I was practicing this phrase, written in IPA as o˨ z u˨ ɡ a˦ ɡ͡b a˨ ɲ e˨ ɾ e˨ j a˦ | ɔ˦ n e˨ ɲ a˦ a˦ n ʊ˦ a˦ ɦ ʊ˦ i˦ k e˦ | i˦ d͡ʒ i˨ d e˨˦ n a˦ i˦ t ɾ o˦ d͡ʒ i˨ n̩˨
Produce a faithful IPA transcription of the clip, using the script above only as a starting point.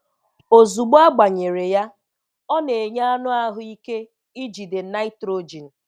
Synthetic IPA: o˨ z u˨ ɡ͡b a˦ ɡ͡b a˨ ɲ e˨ ɾ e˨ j a˦ | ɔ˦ n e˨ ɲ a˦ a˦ n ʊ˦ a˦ ɦ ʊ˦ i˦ k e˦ | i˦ d͡ʒ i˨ d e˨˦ n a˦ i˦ t ɾ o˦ d͡ʒ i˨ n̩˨